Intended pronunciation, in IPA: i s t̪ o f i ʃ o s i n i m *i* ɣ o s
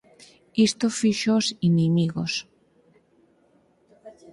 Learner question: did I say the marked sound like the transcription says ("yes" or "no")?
yes